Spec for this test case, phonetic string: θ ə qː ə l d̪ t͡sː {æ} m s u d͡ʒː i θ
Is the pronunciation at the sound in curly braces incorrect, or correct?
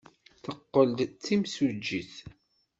incorrect